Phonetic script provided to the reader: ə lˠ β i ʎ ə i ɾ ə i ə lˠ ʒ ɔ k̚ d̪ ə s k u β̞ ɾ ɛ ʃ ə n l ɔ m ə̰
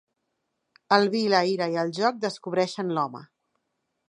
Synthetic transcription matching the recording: ə lˠ β i l ə i ɾ ə i ə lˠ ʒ ɔ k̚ d̪ ə s k u β̞ ɾ ɛ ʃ ə n l ɔ m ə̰